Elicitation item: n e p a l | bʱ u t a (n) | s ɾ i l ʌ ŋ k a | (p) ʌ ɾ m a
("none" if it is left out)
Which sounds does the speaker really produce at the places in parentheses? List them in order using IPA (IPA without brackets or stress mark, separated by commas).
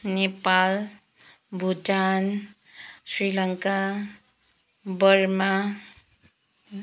n, b